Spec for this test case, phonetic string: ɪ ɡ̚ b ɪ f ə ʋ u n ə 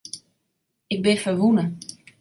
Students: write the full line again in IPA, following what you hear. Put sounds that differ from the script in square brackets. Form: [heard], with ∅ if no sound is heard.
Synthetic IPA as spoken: ɪ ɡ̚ b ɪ f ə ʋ u n ə